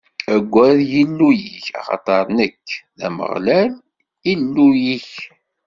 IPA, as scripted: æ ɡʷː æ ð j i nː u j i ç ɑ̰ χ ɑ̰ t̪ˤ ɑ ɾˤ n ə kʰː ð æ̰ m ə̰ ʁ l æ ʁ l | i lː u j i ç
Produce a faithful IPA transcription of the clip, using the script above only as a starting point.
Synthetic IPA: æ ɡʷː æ ð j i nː u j i ç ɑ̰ χ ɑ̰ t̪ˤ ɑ ɾˤ n ə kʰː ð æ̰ m ə̰ ʁ l æ l | i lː u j i ç